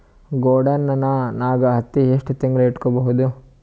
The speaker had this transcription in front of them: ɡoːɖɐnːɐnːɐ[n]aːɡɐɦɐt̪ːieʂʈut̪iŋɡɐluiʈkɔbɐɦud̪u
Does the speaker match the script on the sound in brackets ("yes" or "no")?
yes